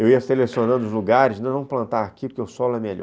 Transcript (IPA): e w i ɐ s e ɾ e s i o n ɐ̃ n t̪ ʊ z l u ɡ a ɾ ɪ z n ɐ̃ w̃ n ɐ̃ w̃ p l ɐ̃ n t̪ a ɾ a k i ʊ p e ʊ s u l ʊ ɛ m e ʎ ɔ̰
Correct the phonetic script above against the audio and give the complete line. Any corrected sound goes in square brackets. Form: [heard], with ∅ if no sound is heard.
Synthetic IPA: e w i ɐ s e [l] e s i o n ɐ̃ n [d̪] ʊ z l u ɡ a ɾ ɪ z n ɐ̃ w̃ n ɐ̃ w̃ p l ɐ̃ n t̪ a ɾ a k i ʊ [k] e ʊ s [ɔ] l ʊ ɛ m e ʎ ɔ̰